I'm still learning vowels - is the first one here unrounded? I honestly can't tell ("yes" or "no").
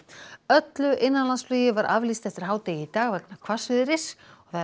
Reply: no